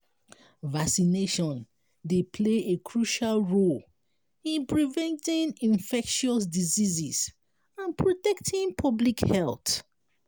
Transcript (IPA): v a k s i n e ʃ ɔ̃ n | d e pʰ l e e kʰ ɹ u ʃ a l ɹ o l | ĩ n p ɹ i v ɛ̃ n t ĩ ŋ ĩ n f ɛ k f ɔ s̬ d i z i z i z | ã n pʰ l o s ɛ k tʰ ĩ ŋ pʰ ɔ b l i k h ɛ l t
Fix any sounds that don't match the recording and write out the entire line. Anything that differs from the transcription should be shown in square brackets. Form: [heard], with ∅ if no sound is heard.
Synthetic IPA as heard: v a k s i n e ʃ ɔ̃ n | d e pʰ l e e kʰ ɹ u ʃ a l ɹ o l | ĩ n p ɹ i v ɛ̃ n t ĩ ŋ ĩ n f ɛ k [ʃ] ɔ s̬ d i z i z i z | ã n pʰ [ɹ] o [t] ɛ k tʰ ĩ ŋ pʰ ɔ b l i k h ɛ l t